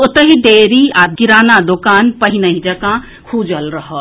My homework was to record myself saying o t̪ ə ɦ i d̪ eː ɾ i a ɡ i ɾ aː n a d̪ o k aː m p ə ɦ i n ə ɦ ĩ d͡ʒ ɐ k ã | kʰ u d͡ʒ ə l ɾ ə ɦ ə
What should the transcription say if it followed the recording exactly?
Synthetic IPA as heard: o t̪ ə ɦ i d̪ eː ɾ i a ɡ i ɾ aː n a d̪ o k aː n p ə ɦ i n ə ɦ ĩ d͡ʒ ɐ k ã | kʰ u d͡ʒ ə l ɾ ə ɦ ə